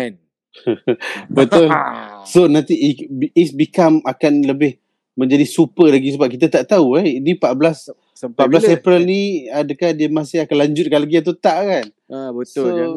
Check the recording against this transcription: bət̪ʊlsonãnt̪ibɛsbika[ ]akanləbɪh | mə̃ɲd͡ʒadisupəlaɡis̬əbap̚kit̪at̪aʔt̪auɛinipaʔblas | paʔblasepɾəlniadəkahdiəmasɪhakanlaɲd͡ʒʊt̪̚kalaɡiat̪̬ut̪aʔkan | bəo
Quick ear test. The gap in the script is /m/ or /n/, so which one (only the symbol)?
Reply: m